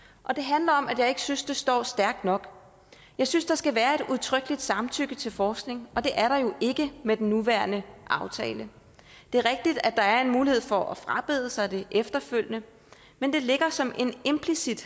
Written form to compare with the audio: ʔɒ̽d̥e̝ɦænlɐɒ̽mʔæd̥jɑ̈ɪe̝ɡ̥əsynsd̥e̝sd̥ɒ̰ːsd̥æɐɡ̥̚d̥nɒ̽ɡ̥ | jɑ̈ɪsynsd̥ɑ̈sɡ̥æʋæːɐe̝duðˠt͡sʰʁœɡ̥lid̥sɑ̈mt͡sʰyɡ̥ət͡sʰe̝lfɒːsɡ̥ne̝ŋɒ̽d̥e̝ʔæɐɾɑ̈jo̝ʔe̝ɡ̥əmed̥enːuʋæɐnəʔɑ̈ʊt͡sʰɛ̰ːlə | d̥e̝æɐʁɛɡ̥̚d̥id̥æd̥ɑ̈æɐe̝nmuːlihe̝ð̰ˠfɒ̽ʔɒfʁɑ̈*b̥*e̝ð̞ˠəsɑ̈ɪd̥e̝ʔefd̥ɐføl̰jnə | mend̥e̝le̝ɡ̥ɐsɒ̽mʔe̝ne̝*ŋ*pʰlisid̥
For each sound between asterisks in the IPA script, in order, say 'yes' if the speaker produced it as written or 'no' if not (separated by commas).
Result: yes, no